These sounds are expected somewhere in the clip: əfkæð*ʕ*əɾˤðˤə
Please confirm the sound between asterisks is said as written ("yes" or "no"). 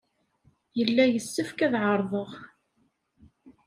yes